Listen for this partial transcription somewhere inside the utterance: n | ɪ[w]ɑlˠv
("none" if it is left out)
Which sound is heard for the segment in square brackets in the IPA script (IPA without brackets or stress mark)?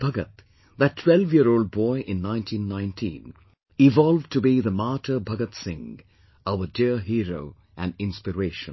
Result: v